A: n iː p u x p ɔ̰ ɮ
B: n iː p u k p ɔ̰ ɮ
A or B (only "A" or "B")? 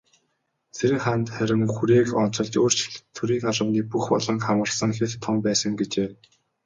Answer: A